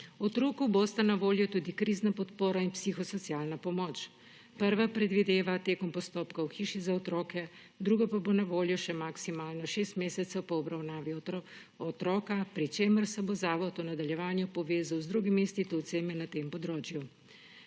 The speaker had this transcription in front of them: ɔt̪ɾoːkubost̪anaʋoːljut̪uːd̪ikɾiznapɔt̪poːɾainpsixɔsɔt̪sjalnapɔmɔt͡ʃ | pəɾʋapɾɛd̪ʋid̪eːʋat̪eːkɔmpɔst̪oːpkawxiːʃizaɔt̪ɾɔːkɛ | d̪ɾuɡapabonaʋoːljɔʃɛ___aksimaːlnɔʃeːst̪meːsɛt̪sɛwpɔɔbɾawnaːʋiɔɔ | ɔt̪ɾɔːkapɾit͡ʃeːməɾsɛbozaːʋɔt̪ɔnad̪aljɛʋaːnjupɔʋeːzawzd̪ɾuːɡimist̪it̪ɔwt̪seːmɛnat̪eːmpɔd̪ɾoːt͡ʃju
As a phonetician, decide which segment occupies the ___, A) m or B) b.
A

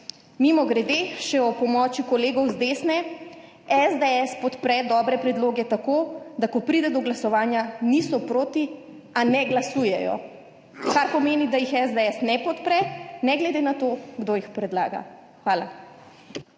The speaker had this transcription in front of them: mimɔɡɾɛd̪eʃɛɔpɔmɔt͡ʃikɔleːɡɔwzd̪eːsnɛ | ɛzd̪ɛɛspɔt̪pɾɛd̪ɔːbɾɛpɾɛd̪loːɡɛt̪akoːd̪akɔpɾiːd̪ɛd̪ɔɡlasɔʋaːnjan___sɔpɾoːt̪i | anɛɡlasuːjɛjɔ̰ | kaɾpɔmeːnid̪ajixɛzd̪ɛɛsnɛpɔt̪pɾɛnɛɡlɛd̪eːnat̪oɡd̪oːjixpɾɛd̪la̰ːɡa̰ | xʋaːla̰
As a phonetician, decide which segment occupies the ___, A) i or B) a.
A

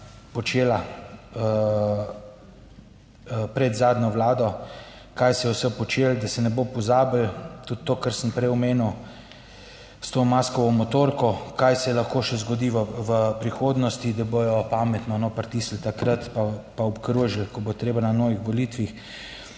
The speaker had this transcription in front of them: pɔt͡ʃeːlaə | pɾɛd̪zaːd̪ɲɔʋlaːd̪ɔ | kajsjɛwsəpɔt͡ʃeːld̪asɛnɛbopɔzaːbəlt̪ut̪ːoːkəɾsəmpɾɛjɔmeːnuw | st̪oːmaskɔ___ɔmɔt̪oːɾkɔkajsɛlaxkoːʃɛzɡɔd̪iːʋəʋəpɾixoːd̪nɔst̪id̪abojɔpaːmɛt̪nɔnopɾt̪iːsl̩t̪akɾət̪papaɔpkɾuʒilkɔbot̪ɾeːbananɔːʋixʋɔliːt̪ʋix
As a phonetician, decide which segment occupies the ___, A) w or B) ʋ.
B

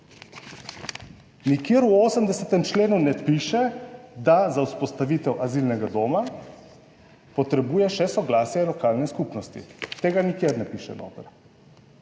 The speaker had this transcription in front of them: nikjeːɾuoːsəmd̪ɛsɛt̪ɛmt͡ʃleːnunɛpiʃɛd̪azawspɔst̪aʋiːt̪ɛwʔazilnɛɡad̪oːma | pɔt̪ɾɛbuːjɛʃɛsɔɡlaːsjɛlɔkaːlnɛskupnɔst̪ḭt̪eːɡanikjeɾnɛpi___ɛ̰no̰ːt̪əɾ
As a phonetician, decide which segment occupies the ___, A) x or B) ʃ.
B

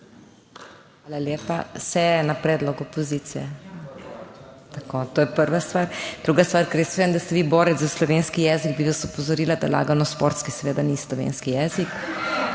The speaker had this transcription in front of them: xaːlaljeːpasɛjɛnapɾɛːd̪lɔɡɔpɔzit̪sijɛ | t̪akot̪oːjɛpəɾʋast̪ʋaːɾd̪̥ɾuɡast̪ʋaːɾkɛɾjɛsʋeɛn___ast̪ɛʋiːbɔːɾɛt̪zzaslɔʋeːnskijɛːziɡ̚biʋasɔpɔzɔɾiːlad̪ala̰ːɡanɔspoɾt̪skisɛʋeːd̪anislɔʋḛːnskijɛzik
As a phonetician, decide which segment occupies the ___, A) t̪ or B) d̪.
B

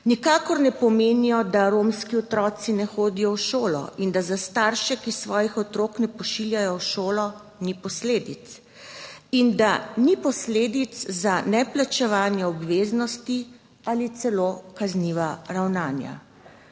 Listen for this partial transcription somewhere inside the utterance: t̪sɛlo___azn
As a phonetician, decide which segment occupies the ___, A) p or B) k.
B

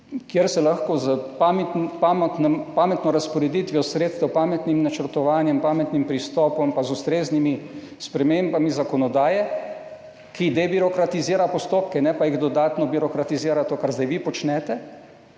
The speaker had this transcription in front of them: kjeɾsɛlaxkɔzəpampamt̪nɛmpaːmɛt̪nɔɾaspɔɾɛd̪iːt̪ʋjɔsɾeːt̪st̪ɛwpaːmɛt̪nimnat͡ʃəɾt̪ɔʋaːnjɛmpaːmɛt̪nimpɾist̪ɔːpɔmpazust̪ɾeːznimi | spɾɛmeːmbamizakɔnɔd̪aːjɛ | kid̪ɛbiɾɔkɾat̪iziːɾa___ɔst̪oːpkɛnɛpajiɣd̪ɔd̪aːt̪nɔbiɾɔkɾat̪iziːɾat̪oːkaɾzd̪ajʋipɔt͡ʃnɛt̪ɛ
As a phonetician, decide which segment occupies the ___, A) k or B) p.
B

